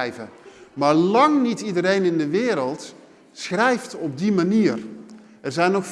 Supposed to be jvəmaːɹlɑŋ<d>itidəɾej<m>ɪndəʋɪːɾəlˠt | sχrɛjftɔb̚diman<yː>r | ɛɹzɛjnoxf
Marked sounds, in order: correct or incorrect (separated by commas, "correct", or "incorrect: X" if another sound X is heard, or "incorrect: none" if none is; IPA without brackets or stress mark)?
incorrect: n, incorrect: n, incorrect: iː